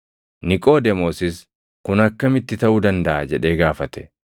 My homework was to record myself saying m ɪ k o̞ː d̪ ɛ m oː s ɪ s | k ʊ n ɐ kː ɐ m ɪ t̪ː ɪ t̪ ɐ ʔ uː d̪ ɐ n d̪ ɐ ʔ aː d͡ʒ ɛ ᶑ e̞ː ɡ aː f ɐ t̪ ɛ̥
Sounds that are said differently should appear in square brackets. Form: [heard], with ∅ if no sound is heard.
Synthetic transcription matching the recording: [n] ɪ [kʼ] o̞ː d̪ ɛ m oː s ɪ s | k ʊ n ɐ kː ɐ m ɪ t̪ː ɪ t̪ ɐ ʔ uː d̪ ɐ n d̪ ɐ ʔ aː d͡ʒ ɛ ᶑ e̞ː ɡ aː f ɐ t̪ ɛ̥